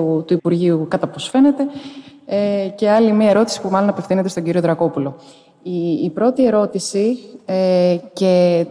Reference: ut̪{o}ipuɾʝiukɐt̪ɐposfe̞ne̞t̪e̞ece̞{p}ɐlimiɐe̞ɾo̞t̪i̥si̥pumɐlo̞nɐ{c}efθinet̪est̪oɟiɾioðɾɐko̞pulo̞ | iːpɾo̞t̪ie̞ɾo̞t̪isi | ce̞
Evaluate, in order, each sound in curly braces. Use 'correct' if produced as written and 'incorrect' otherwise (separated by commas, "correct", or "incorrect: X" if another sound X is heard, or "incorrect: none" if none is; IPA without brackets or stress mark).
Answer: incorrect: u, incorrect: none, incorrect: p